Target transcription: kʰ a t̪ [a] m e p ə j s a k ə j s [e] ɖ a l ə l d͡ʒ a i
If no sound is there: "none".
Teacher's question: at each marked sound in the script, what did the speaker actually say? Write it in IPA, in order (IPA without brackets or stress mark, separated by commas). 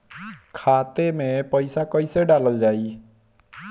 e, e